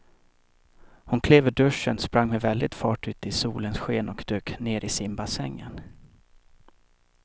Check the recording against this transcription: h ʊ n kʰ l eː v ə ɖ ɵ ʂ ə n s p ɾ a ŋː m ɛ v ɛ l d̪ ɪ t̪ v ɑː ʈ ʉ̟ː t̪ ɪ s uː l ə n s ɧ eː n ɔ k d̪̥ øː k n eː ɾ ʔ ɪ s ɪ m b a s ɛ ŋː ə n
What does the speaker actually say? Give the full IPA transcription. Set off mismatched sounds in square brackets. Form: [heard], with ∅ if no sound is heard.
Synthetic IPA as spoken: h ʊ n kʰ l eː v ə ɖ ɵ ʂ ə n s p ɾ a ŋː m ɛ v ɛ l d̪ ɪ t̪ [f] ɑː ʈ ʉ̟ː t̪ ɪ s uː l ə n s ɧ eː n ɔ k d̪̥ øː k n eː ɾ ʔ ɪ s ɪ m b a s ɛ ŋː ə n